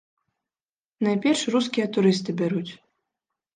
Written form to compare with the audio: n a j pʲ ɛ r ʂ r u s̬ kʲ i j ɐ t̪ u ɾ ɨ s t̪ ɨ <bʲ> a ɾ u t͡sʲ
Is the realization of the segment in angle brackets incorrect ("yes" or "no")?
no